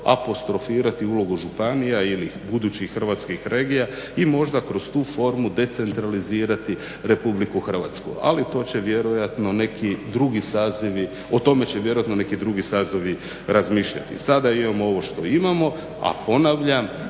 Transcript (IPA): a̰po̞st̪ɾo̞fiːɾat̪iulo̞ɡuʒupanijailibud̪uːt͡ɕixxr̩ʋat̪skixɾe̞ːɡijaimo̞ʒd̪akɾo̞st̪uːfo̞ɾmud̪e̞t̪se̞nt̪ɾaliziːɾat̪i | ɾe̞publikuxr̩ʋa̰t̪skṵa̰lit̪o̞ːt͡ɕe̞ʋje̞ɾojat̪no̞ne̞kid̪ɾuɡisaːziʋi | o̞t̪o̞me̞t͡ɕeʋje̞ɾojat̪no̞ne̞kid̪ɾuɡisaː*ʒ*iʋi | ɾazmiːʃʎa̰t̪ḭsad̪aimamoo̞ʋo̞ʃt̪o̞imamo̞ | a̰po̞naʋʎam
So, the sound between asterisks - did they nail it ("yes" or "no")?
no